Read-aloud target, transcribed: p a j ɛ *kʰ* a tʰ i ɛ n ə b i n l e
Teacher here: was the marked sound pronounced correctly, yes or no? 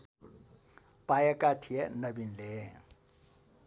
no